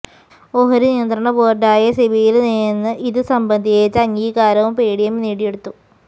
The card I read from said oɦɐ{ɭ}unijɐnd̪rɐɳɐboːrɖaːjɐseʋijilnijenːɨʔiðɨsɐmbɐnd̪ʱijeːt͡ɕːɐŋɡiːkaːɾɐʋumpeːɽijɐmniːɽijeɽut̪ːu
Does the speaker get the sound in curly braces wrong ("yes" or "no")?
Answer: yes